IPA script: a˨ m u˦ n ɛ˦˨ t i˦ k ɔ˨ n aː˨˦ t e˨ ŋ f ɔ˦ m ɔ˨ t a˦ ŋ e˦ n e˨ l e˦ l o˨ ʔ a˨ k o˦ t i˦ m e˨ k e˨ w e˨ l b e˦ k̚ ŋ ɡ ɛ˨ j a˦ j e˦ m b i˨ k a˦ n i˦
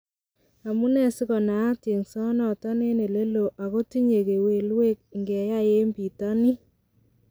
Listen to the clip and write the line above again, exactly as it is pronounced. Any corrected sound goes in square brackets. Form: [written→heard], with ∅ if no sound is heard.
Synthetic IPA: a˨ m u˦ n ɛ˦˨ [t→s] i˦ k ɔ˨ n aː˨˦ t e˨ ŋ [f→s] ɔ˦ [m→n] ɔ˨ t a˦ [ŋ→n] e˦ n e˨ l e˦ l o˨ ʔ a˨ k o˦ t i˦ [m→ɲ] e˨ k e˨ w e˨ l [b→w] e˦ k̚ ŋ ɡ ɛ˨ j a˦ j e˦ m b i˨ [k→t] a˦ n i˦